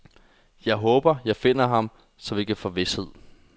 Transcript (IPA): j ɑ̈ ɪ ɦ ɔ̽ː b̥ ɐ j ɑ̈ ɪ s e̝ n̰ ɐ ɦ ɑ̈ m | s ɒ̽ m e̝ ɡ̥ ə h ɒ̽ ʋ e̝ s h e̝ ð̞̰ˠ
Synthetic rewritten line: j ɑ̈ ɪ ɦ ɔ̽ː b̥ ɐ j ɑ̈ ɪ f e̝ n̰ ɐ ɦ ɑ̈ m | s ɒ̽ m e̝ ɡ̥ ə f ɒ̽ ʋ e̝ s h e̝ ð̞̰ˠ